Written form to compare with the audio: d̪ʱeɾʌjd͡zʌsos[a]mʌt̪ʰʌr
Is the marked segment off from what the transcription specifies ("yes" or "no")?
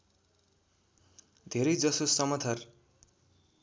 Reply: yes